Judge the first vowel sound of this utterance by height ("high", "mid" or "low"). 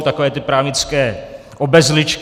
low